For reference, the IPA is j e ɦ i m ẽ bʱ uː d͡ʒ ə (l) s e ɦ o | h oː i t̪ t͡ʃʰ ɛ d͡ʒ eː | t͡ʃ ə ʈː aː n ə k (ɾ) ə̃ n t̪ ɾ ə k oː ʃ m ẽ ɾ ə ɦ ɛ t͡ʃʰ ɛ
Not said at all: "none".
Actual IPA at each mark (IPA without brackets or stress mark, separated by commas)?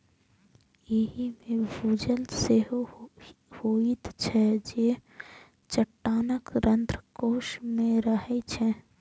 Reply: l, ɾ